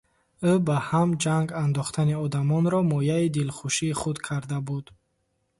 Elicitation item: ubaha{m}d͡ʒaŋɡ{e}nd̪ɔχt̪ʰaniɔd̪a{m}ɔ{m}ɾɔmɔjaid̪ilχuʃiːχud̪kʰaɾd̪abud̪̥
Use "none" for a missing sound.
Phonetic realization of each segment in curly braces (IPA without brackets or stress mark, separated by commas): m, a, m, n